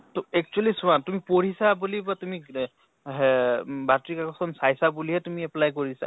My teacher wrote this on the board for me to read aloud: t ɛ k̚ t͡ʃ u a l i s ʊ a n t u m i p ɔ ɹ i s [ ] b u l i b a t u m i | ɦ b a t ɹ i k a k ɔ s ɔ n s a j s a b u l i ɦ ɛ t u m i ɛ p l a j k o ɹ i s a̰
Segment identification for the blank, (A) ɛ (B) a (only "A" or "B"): B